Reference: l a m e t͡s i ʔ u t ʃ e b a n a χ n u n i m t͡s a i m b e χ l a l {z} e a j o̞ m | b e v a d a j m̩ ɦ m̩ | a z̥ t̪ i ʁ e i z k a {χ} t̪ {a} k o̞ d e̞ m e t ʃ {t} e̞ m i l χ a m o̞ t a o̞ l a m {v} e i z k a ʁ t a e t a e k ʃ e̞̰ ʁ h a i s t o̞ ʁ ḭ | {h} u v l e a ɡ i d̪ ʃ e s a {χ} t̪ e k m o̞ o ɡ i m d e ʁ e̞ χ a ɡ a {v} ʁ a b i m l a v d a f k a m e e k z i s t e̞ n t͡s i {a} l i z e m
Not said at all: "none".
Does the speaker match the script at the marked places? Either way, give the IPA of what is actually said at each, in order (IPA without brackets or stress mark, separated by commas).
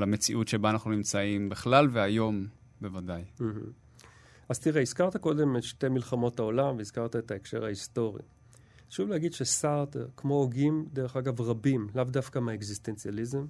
v, ʁ, a, t, v, ʃ, ʁ, v, a